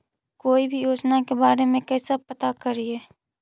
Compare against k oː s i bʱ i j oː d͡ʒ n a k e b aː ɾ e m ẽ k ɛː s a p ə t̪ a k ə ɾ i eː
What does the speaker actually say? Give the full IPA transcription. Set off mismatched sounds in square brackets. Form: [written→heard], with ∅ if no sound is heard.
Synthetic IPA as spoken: k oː [s→∅] i bʱ i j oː d͡ʒ n a k e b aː ɾ e m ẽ k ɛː s a p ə t̪ a k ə ɾ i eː